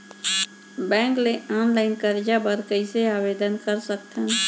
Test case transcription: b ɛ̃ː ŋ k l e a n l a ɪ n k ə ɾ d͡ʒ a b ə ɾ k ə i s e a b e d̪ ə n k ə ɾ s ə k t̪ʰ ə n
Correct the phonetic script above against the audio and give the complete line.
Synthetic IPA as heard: b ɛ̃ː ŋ k l e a n l a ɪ n k ə ɾ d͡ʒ a b ə ɾ k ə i s e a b e d̪ ə n k ə ɾ s ə k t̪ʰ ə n